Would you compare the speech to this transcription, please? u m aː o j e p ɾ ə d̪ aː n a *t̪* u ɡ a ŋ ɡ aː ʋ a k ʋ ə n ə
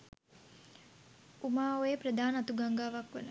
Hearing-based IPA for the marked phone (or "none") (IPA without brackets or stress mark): t̪